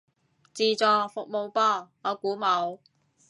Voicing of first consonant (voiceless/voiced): voiceless